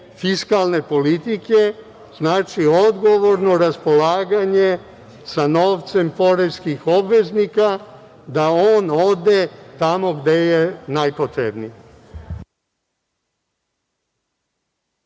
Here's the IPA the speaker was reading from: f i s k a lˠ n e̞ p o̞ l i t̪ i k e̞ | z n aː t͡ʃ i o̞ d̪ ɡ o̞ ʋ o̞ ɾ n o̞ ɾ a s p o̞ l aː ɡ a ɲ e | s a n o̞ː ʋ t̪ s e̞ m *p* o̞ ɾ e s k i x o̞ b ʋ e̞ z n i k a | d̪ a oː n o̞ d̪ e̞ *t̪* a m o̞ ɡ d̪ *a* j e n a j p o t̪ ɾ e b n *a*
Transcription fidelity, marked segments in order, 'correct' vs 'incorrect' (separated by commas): correct, correct, incorrect, incorrect